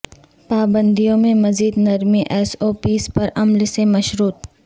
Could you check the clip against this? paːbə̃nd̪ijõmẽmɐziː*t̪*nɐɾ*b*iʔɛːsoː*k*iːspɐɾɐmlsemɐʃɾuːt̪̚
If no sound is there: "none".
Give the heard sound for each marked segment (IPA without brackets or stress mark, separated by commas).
d̪, m, p